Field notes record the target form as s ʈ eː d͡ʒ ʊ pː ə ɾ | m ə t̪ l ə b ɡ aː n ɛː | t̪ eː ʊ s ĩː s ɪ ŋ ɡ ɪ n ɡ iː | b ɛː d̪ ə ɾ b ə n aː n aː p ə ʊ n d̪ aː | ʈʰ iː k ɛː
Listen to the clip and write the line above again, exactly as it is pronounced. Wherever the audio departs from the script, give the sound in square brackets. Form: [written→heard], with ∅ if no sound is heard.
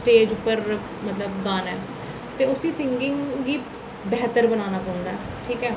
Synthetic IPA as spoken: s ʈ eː d͡ʒ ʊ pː ə ɾ | m ə t̪ l ə b ɡ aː n ɛː | t̪ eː ʊ s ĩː s ɪ ŋ ɡ ɪ [n→ŋ] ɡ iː | b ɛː [d̪→t̪] ə ɾ b ə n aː n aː p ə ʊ n d̪ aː | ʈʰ iː k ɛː